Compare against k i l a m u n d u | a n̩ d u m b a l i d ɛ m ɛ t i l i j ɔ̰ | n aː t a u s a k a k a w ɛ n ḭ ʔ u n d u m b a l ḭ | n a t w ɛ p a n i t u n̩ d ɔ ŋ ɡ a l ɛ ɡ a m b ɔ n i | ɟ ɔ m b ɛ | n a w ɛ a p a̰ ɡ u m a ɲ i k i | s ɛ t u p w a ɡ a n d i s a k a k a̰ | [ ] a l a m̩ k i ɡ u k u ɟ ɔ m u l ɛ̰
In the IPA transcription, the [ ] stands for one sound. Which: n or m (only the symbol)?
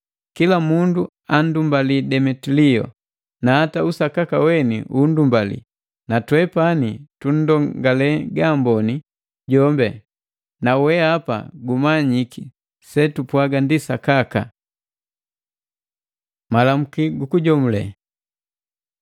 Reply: m